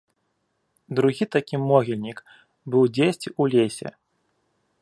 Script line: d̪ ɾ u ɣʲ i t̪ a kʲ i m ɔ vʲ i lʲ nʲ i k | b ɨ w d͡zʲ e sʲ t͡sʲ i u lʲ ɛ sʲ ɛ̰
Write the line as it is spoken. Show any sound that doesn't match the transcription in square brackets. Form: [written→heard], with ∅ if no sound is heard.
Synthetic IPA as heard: d̪ ɾ u ɣʲ i t̪ a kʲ i m ɔ [vʲ→ɣʲ] i lʲ nʲ i k | b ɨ w d͡zʲ e sʲ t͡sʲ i u lʲ [ɛ→e] sʲ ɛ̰